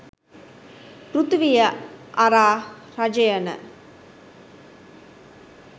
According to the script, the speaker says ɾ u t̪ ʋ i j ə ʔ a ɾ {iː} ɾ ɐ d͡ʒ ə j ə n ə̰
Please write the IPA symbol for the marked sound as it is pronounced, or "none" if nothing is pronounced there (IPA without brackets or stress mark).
aː